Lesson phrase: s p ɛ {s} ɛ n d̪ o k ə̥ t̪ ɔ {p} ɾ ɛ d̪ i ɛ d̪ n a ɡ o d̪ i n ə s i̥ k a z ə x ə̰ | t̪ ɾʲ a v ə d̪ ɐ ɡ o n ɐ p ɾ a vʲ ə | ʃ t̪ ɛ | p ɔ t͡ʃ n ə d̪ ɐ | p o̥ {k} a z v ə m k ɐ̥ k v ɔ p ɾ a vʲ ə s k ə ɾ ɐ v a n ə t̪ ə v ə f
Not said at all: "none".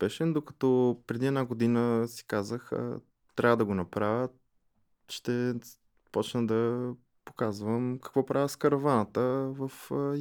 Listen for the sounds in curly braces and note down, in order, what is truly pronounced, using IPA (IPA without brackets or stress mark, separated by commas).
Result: ʃ, p, k